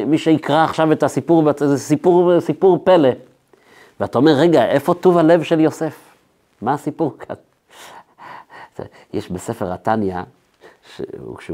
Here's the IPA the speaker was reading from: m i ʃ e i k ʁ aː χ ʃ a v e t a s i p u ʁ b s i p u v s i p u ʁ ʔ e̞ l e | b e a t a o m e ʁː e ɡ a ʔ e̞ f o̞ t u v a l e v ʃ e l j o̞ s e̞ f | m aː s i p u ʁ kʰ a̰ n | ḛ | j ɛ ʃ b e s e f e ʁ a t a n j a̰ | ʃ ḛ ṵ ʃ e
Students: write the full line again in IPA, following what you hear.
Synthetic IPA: m i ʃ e i k ʁ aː χ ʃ a v e t a s i p u ʁ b s i p u ʁ s i p u ʁ p e̞ l e | v e a t a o m e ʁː e ɡ a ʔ e̞ f o̞ t u v a l e v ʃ e l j o̞ s e̞ f | m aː s i p u ʁ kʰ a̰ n | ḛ | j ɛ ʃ b e s e f e ʁ a t a n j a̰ | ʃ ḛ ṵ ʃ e